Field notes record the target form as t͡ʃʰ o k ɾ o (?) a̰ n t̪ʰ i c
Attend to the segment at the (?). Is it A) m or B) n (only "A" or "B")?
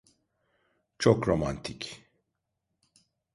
A